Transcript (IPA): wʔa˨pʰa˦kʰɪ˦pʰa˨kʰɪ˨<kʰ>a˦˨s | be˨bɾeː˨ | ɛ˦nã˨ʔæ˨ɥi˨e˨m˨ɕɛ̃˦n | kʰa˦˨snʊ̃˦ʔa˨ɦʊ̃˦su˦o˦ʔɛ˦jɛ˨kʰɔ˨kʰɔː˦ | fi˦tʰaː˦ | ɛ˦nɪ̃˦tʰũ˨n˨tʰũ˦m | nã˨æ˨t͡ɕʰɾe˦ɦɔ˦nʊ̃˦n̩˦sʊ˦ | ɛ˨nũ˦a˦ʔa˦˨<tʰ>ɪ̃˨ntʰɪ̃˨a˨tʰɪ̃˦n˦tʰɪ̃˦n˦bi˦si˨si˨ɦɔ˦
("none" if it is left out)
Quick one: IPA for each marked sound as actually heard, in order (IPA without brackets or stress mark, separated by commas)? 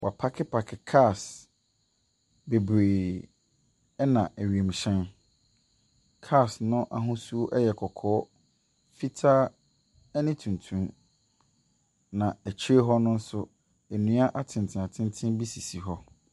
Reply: kʰ, tʰ